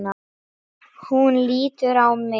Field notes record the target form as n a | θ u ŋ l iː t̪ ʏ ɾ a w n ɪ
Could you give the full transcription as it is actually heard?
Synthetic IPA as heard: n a | h u n l iː t̪ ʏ ɾ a w m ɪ

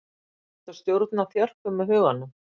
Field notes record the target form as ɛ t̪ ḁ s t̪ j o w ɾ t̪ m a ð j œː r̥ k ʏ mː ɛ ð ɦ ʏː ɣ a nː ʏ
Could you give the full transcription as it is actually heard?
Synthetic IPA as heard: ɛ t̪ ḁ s t̪ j o w ɾ t̪ n a θ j œ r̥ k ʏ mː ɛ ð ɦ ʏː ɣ a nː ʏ

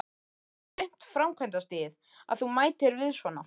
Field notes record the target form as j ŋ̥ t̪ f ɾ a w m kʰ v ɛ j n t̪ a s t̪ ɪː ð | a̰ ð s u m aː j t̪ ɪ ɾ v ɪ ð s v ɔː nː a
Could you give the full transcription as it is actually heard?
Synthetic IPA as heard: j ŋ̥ t̪ f ɾ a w m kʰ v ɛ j n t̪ a s t̪ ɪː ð | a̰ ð θ u m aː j t̪ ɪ ɾ v ɪ ð s v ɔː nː a

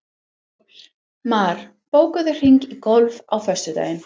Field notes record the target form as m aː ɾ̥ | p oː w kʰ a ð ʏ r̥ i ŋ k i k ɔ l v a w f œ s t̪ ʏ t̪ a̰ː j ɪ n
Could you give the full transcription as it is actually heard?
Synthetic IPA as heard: m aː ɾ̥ | p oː w k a ð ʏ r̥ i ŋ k i k ɔ l v a w f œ s t̪ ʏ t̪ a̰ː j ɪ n

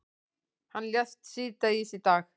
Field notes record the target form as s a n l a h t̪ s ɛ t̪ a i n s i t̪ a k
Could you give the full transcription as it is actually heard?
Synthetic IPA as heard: h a n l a s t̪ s i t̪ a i s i t̪ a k

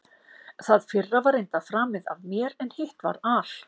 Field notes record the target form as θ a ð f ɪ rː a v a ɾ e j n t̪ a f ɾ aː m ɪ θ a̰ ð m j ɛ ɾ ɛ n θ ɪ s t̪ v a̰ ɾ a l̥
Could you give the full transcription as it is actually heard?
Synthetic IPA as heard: θ a ð f ɪ rː a v a ɾ e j n t̪ a f ɾ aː m ɪ ð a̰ v m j ɛ ɾ ɛ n h ɪ h t̪ v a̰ ɾ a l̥

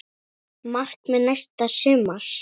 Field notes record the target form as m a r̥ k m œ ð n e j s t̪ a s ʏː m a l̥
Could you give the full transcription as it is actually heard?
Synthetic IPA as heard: m a r̥ k m ɛ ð n a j s t̪ a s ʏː m a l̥

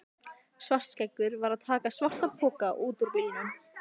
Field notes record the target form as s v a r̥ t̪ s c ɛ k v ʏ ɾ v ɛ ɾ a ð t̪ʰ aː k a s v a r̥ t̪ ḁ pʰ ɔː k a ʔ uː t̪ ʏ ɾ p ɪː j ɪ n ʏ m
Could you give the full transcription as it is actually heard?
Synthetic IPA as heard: s v a r̥ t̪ s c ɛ k v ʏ ɾ v a ɾ a ð t̪ʰ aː k a s v a r̥ t̪ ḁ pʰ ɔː k a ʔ uː t̪ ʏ ɾ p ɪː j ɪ n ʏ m

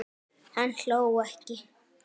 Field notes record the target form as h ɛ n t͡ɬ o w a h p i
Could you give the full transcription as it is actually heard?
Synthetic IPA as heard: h a n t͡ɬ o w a h k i

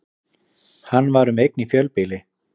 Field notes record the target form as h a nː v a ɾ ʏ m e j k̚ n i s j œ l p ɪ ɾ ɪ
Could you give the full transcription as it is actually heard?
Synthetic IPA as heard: h a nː v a ɾ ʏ m e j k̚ n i f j œ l p ɪ l ɪ

